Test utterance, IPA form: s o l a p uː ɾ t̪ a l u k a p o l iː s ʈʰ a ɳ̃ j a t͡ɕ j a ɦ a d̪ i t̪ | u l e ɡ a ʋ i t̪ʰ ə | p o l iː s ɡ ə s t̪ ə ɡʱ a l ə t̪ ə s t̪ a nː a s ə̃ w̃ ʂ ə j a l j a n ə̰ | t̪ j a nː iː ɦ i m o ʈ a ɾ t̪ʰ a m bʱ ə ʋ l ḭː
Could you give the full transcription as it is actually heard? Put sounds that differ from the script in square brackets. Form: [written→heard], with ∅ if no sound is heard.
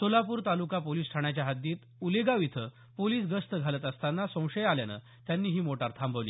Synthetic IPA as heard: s o l a p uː ɾ t̪ a l u k a p o l iː s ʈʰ a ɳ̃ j a t͡ɕ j a ɦ a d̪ [i→iː] t̪ | u l e ɡ a ʋ i t̪ʰ ə | p o l iː s ɡ ə s t̪ ə ɡʱ a l ə t̪ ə s t̪ a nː a s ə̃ w̃ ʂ ə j a l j a n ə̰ | t̪ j a nː iː ɦ [i→iː] m o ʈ a ɾ t̪ʰ a m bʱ ə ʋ l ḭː